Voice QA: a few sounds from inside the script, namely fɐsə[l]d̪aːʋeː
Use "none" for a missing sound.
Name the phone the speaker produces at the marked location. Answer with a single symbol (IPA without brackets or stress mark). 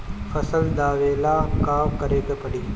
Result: l